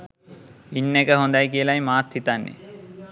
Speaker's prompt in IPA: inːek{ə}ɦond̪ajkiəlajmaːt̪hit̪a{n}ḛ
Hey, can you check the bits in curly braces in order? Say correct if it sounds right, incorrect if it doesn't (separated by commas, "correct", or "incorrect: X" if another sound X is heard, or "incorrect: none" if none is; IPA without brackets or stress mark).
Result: correct, incorrect: nː